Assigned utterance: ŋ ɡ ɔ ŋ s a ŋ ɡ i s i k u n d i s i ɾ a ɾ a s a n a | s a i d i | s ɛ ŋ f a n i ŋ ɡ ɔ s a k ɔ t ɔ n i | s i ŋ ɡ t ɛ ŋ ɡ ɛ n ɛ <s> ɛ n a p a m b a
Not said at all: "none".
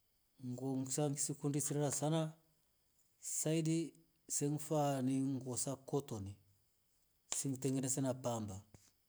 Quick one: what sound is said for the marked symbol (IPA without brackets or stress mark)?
s